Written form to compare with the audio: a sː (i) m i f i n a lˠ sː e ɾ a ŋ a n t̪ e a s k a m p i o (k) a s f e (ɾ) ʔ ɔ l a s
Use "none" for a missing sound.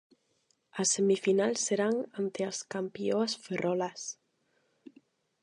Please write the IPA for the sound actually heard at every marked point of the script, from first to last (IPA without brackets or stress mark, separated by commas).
e, none, r